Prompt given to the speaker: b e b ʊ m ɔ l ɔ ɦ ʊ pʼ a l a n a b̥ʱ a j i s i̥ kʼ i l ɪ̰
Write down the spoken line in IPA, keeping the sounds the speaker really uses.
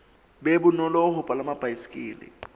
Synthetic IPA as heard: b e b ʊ n ɔ l ɔ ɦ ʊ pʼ a l a m a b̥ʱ a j i s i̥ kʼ iː l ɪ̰